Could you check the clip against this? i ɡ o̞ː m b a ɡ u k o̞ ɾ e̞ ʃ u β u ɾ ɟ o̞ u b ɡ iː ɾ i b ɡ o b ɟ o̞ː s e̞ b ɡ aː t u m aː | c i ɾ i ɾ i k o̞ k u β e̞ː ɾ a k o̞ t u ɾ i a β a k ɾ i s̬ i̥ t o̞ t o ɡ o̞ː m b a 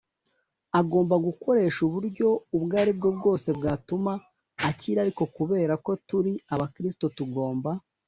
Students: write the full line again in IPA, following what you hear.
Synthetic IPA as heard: a ɡ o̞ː m b a ɡ u k o̞ ɾ e̞ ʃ u β u ɾ ɟ o̞ u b ɡ aː ɾ i b ɡ o b ɡ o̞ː s e̞ b ɡ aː t u m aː | c i ɾ a ɾ i k o̞ k u β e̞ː ɾ a k o̞ t u ɾ i a β a k ɾ i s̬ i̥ t o̞ t u ɡ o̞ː m b a